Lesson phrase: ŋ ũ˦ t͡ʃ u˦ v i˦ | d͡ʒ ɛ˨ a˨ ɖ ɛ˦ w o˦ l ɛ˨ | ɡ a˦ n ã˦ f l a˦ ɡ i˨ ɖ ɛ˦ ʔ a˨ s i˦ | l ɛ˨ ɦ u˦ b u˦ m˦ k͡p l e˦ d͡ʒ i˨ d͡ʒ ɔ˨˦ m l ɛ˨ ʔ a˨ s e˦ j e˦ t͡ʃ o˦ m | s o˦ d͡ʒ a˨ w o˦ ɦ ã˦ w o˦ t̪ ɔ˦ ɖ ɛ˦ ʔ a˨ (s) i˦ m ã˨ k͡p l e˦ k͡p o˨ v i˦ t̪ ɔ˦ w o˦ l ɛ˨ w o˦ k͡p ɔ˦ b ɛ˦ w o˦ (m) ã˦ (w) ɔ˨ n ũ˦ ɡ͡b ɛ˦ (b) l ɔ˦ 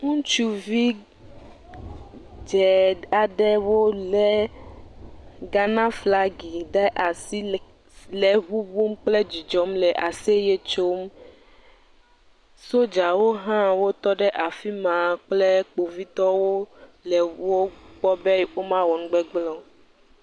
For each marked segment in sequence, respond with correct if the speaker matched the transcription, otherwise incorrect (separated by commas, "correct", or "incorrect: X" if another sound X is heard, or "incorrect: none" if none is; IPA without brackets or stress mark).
incorrect: f, correct, correct, incorrect: ɡ͡b